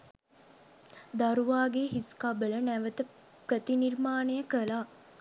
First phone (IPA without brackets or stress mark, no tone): d̪